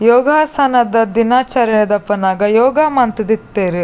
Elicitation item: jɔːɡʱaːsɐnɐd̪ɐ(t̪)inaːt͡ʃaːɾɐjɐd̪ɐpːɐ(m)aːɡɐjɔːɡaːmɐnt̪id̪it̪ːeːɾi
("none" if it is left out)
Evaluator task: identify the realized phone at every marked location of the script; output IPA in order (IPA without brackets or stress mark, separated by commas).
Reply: d̪, n